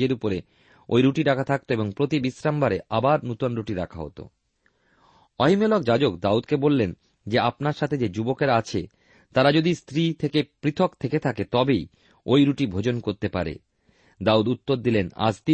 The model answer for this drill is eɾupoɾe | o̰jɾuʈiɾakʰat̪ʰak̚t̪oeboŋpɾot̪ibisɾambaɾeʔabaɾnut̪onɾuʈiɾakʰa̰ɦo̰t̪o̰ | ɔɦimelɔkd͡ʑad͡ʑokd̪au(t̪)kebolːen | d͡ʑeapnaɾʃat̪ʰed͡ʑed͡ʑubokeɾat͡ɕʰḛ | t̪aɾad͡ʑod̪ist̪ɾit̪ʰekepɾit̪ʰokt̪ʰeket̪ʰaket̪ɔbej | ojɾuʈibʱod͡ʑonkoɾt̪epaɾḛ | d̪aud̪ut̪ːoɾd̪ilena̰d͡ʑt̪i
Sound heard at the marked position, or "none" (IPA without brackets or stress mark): d̪